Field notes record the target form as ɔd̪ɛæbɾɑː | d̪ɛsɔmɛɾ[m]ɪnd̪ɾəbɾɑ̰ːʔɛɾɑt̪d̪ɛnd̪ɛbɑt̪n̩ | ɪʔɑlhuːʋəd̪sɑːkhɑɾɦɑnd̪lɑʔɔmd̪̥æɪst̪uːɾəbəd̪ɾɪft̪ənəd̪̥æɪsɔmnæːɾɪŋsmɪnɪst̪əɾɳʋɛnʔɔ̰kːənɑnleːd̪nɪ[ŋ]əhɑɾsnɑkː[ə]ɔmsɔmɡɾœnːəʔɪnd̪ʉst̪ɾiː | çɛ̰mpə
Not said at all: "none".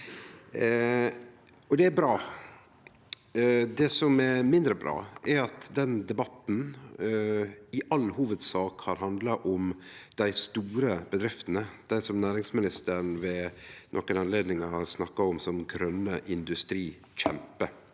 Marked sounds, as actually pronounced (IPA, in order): m, ŋ, ɑ

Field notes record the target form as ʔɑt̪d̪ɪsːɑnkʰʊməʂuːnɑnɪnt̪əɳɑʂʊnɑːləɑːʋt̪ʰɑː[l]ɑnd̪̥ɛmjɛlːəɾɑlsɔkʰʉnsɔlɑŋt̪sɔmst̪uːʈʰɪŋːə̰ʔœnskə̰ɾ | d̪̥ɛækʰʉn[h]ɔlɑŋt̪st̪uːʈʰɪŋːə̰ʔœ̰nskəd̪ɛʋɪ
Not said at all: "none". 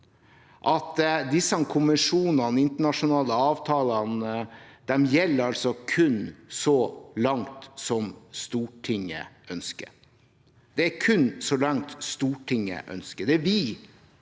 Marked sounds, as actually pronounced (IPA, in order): l, s

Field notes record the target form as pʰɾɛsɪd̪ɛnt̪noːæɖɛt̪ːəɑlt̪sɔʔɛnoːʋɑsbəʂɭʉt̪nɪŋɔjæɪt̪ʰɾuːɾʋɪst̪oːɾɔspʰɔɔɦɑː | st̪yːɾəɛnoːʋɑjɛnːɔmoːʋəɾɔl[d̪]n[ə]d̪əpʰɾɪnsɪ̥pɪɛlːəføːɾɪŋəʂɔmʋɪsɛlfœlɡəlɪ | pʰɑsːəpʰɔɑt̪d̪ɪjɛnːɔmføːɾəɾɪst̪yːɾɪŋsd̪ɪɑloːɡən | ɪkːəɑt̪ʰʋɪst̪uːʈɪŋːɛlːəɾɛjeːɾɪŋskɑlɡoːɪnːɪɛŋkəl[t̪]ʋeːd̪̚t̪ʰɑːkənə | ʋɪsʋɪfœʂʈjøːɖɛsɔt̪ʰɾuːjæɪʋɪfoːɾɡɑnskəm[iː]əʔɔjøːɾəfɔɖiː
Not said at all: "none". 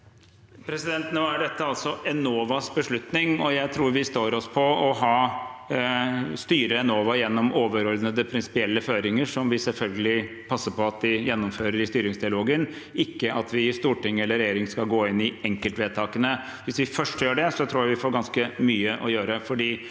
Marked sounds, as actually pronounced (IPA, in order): d̪, ə, t̪, yː

